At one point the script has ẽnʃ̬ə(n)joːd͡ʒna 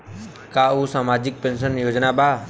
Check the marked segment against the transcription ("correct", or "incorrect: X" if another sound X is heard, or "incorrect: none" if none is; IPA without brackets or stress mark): correct